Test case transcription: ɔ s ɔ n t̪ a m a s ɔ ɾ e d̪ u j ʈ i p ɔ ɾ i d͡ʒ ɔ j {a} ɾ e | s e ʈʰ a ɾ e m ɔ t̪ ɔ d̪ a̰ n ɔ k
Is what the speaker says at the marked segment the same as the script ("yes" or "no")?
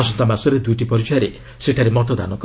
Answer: yes